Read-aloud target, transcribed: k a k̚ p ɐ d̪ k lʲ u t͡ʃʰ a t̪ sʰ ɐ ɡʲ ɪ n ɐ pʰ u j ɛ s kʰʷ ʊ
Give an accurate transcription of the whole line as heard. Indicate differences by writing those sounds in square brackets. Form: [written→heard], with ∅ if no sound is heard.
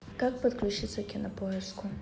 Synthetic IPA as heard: k a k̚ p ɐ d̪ k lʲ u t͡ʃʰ [a→i] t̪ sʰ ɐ [ɡʲ→kʲ] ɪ n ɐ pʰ [u→o] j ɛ s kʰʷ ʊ